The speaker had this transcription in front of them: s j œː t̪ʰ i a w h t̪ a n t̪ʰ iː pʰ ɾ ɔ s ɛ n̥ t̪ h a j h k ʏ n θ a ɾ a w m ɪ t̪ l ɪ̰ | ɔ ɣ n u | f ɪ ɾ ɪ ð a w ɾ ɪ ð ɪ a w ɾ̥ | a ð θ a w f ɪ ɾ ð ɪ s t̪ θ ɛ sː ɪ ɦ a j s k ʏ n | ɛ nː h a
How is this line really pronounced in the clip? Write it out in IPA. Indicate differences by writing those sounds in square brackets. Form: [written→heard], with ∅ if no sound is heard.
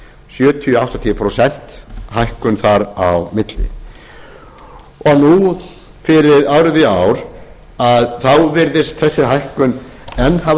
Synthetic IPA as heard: s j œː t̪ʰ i a w h t̪ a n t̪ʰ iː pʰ ɾ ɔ s ɛ n̥ t̪ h a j h k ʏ n θ a ɾ a w m ɪ t̪ l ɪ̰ | ɔ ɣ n u | f ɪ ɾ ɪ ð a w ɾ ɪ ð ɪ a w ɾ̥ | a ð θ a w [f→v] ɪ ɾ ð ɪ s t̪ θ ɛ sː ɪ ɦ a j [s→h] k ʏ n | ɛ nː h a